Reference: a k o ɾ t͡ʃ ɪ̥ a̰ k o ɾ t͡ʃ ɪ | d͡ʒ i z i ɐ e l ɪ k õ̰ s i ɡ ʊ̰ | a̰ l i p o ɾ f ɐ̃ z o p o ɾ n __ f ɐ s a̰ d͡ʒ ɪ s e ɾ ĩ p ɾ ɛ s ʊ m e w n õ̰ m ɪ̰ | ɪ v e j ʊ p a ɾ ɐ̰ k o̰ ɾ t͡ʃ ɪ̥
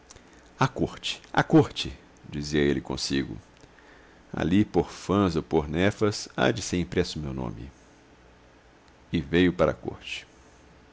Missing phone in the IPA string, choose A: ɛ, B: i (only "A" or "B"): A